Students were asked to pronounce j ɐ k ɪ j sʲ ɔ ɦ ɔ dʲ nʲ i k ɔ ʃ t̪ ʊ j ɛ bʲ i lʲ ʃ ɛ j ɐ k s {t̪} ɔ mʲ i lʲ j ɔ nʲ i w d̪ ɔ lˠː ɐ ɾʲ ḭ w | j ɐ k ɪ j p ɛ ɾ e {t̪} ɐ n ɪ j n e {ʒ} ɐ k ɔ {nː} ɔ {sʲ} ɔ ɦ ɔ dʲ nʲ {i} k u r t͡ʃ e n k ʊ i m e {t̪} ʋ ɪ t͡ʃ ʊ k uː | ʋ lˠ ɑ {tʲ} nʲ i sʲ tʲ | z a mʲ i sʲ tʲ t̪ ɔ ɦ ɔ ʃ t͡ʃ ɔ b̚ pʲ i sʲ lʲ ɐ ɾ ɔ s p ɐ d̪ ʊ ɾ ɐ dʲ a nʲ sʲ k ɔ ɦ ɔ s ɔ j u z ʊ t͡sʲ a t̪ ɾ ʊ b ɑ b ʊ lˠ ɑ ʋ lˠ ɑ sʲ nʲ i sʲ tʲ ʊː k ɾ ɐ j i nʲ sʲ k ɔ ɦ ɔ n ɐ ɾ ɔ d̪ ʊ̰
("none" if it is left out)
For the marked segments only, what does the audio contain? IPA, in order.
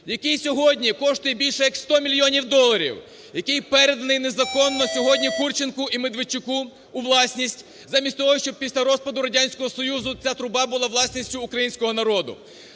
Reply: t̪, d̪, z, nː, sʲ, i, d̪, sʲ

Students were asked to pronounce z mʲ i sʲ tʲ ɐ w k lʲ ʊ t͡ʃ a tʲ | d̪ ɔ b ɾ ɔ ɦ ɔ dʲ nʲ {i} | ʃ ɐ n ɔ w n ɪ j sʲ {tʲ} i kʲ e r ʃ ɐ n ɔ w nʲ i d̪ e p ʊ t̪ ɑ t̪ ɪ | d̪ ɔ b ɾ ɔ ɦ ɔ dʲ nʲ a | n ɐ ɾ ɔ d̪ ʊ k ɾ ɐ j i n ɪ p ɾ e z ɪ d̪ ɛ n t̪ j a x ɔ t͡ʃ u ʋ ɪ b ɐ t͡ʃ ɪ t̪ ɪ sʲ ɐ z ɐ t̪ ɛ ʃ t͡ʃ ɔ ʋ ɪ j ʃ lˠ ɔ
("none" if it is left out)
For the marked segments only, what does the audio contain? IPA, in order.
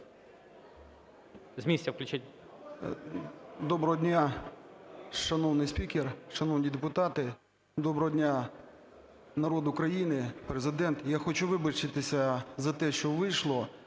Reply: a, pʲ

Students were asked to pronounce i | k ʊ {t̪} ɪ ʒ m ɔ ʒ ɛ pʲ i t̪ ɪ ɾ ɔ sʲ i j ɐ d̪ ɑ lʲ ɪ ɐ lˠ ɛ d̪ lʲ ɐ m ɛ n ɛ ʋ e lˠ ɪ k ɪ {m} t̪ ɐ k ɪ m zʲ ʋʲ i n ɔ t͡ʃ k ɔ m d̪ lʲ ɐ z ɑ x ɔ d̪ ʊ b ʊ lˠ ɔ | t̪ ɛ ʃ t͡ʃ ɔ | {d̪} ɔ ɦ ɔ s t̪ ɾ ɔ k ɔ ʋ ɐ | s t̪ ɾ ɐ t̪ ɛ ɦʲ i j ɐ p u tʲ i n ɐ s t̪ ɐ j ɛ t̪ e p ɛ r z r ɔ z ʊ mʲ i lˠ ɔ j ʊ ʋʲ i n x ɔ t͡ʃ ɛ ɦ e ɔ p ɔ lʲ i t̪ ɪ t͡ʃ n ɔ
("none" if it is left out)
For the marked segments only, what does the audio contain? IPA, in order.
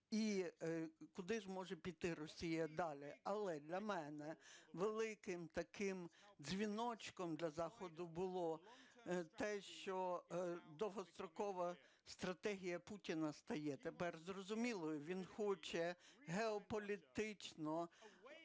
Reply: d̪, m, d̪

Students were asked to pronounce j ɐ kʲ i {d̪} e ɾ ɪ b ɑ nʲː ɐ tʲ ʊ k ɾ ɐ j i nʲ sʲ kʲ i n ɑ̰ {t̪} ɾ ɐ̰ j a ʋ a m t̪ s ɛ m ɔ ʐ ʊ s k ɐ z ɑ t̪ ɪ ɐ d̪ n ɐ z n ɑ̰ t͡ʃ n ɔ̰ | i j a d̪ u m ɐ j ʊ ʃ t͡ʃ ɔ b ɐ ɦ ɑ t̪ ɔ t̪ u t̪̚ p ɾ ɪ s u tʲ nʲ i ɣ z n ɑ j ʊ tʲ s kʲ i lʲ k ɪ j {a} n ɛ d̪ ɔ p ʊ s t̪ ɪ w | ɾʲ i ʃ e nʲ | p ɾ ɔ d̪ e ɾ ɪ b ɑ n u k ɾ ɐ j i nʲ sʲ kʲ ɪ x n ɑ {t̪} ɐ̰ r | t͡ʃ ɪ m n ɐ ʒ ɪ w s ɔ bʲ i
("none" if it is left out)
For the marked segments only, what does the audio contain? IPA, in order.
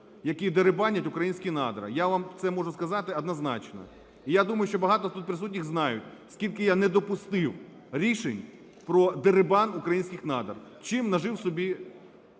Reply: d̪, d̪, a, d̪

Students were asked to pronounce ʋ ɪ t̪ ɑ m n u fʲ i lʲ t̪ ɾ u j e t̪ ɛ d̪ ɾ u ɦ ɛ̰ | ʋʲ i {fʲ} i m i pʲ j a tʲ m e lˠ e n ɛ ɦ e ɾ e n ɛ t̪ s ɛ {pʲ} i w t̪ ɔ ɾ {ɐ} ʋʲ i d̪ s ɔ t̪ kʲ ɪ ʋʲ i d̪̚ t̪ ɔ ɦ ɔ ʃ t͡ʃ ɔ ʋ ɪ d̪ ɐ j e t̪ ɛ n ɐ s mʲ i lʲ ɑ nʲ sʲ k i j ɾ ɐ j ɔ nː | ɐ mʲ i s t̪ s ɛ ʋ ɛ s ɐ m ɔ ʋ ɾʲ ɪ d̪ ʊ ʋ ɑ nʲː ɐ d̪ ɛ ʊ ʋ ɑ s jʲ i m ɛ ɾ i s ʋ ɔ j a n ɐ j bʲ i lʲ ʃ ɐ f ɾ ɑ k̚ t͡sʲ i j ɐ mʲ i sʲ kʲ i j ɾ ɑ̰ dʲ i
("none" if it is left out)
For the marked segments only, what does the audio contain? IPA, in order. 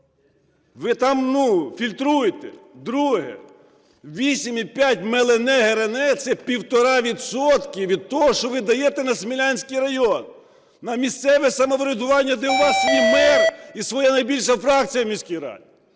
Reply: sʲ, pʲ, ɑ

